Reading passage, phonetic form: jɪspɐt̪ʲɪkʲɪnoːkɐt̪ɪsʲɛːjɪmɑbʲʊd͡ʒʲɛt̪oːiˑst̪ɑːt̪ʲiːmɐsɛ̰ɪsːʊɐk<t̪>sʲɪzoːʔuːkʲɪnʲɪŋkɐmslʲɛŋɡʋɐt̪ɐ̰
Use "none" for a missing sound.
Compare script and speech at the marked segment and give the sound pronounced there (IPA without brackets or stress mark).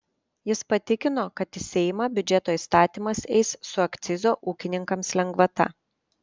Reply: t̪